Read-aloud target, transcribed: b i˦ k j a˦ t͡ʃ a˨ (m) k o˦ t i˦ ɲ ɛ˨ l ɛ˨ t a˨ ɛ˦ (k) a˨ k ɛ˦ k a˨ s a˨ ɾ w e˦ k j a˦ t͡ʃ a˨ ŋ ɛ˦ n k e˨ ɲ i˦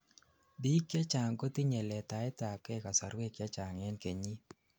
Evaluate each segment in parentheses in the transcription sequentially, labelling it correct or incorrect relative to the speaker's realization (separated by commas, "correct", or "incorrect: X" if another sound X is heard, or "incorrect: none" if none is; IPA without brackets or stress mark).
incorrect: ŋ, incorrect: t